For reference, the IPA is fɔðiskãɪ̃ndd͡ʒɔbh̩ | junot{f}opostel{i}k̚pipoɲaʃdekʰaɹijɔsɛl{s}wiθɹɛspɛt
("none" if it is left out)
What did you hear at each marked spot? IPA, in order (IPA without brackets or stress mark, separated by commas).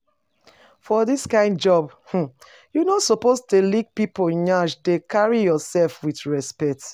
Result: s, i, f